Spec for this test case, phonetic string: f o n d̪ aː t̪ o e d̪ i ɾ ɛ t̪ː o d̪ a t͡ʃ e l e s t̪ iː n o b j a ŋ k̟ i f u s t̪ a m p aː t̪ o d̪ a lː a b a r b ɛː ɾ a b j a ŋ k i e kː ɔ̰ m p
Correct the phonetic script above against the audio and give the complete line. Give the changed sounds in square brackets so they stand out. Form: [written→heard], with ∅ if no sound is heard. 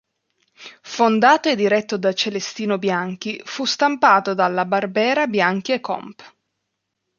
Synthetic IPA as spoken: f o n d̪ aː t̪ o e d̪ i ɾ ɛ t̪ː o d̪ a t͡ʃ e l e s t̪ iː n o b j a ŋ k̟ i f u s t̪ a m p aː t̪ o d̪ a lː a b a r b ɛː ɾ a b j a ŋ k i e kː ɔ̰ m p